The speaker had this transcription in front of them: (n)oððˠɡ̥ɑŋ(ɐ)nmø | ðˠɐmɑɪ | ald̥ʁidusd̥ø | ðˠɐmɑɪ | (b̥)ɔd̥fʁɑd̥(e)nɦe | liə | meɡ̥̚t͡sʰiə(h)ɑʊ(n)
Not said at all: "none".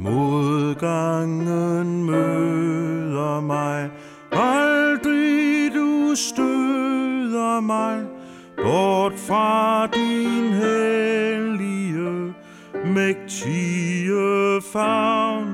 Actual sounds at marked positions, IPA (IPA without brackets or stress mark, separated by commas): m, ə, b̥, i, f, n